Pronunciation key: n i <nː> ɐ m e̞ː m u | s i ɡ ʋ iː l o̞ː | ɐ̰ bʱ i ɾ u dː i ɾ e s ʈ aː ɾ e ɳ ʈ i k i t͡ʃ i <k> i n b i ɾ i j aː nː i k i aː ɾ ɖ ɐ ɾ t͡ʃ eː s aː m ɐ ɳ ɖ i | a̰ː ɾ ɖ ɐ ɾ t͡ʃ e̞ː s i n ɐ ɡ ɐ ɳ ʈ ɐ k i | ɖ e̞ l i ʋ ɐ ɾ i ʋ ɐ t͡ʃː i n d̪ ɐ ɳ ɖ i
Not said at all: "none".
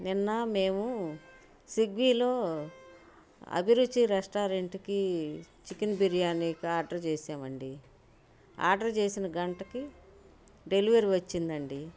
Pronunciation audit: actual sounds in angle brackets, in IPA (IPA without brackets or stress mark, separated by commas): nː, k